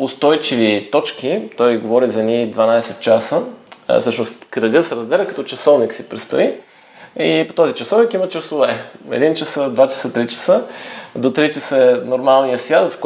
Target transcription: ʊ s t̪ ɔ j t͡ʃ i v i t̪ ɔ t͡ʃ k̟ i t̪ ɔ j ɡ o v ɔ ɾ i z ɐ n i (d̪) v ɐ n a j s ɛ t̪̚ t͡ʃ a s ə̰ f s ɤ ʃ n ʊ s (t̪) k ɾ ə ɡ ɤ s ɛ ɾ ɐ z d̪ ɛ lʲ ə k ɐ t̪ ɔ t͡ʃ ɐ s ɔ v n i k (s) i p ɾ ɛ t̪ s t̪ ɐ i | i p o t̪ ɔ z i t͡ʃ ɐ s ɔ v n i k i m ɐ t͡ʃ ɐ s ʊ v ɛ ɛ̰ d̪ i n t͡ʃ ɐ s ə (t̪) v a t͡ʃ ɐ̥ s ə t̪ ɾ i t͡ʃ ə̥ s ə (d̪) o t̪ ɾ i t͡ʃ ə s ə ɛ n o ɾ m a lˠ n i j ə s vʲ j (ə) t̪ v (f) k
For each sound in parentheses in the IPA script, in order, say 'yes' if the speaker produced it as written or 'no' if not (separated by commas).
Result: yes, yes, yes, no, yes, no, yes